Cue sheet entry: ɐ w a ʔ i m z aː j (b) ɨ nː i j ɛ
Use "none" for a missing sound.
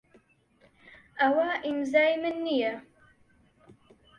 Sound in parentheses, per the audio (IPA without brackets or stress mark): m